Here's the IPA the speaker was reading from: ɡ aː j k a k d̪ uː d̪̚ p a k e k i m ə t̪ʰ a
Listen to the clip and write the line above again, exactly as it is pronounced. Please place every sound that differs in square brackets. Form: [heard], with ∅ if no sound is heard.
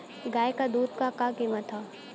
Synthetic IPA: ɡ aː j k a [∅] d̪ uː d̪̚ [k] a k [a] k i m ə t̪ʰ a